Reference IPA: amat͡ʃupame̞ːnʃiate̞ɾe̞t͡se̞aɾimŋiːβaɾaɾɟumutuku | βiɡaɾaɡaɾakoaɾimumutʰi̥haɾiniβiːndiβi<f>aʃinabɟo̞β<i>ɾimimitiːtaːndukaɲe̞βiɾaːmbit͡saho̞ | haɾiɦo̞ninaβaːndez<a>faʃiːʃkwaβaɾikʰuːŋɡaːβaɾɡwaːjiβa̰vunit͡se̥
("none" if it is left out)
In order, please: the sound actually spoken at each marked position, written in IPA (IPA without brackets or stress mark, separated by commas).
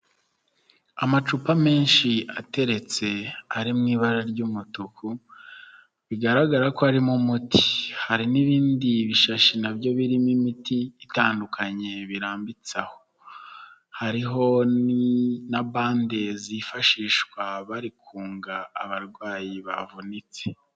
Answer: ʃ, i, i